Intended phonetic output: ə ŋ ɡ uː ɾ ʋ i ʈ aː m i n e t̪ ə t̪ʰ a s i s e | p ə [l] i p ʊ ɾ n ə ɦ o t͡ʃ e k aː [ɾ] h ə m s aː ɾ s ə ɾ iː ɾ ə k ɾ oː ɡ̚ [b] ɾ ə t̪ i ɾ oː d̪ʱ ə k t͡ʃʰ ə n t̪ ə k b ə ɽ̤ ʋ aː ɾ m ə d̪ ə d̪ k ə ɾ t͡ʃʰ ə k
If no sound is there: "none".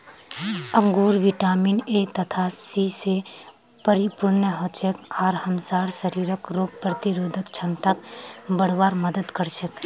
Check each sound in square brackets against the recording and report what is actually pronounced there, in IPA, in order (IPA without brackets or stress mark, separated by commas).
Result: ɾ, ɾ, p